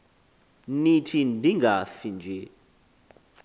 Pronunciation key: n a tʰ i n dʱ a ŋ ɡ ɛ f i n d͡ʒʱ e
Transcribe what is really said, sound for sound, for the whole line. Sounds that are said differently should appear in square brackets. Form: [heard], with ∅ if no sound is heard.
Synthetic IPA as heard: n [i] tʰ i n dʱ [i] ŋ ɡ [a] f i n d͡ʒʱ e